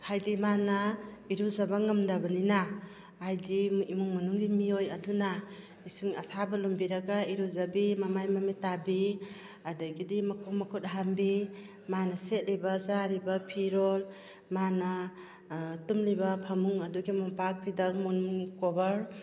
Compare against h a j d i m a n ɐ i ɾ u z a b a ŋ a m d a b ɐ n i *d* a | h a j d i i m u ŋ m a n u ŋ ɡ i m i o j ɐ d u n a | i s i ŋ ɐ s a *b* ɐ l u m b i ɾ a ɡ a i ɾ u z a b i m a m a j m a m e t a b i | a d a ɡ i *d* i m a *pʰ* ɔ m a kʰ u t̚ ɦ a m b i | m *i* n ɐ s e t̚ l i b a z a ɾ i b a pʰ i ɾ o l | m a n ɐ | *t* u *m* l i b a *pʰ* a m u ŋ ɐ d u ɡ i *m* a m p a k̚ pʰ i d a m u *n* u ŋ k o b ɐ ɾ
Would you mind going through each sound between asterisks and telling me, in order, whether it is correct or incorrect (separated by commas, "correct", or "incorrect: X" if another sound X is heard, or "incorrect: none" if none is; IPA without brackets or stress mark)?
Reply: incorrect: n, correct, correct, incorrect: kʰ, incorrect: a, correct, correct, correct, correct, correct